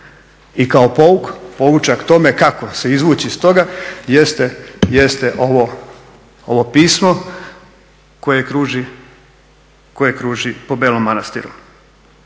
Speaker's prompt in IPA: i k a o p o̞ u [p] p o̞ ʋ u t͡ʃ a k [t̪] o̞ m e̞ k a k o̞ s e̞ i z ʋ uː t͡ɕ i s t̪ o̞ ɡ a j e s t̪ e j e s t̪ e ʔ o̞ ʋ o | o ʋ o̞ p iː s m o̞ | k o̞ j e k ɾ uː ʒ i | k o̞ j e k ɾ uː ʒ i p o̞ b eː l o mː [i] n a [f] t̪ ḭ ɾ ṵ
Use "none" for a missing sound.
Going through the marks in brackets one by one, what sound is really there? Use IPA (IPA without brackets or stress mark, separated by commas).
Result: k, t̪, a, s